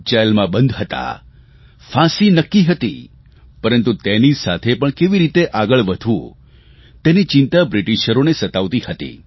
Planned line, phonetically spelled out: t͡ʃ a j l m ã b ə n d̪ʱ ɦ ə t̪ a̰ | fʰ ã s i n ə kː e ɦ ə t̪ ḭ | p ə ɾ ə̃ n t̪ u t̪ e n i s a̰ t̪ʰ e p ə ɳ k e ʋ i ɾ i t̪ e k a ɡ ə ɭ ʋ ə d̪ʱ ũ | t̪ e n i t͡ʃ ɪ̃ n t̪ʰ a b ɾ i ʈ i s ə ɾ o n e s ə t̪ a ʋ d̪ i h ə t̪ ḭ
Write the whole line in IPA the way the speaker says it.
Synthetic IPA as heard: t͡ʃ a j l m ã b ə n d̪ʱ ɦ ə t̪ a̰ | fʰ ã s i n ə kː i ɦ ə t̪ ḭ | p ə ɾ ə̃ n t̪ u t̪ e n i s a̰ t̪ʰ e p ə ɳ k e ʋ i ɾ i t̪ e ʔ a ɡ ə ɭ ʋ ə d̪ʱ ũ | t̪ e n i t͡ʃ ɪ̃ n t̪ a b ɾ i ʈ i ʃ ə ɾ o n e s ə t̪ a ʋ t̪ i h ə t̪ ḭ